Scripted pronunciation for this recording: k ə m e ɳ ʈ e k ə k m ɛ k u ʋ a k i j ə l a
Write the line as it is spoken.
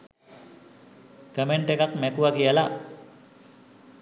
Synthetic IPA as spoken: k ə m e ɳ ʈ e k a k m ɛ k u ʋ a k i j ə l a